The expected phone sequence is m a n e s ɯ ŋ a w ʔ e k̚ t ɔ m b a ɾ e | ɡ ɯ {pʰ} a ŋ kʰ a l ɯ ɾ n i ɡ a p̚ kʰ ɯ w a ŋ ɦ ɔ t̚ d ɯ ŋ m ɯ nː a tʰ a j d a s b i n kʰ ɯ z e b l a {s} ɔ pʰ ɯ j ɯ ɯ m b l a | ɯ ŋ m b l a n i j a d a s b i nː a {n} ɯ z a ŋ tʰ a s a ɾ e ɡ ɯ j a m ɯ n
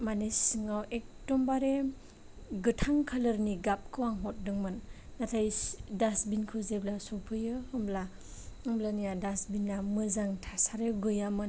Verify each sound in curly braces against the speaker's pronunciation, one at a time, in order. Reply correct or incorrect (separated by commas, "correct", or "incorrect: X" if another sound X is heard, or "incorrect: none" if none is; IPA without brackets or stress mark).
incorrect: tʰ, correct, incorrect: m